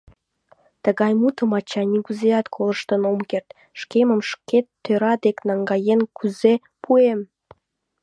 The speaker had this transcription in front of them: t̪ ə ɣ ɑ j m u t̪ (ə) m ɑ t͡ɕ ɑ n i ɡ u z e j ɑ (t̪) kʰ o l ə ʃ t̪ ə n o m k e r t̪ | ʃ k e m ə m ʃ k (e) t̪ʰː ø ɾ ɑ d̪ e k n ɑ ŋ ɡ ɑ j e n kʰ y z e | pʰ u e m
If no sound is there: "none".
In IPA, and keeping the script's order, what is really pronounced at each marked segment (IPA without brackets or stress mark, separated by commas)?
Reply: ə, t̪, e